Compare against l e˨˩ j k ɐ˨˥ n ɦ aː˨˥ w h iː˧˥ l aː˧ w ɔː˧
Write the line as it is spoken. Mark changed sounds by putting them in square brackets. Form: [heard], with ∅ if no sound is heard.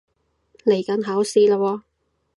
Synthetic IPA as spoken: l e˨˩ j k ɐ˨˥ n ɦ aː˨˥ w [s] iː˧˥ l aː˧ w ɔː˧